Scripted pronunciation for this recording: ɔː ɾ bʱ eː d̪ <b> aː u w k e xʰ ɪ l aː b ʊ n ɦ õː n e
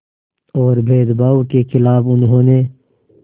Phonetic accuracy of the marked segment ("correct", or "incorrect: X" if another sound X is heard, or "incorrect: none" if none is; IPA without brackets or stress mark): correct